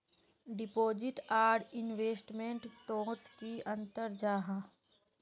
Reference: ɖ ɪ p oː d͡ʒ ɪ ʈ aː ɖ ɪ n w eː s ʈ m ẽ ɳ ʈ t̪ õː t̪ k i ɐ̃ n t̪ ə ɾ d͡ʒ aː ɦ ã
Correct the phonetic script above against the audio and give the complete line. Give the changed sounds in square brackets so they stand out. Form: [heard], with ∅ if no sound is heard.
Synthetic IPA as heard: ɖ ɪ p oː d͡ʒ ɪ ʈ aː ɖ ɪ n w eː s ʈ m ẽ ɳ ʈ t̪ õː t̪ k i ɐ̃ n t̪ ə ɾ d͡ʒ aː ɦ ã